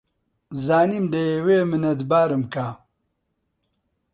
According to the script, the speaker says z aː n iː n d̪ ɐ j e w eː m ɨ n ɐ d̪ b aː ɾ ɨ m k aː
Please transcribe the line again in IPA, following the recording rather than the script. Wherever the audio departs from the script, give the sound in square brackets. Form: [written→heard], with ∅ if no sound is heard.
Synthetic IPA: z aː n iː [n→m] d̪ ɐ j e w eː m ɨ n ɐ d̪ b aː ɾ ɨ m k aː